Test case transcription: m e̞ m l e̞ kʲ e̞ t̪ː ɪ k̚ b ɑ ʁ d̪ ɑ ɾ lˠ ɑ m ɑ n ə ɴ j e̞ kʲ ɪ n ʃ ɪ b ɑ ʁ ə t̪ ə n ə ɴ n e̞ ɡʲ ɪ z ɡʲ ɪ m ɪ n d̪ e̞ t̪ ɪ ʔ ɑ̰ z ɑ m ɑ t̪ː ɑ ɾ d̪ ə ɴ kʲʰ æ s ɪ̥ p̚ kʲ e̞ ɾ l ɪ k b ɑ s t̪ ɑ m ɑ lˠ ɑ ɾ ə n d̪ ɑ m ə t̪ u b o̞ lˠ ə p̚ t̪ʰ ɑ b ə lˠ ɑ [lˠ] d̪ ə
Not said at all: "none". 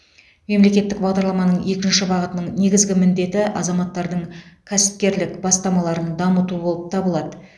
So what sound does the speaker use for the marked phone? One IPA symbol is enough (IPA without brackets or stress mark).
none